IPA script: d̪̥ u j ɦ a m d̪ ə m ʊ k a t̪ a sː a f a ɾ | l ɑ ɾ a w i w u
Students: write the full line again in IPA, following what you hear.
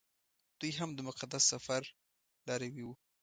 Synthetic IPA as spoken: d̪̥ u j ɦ a m d̪ ə m ʊ q a d̪ a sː a f a ɾ | l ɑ ɾ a w i w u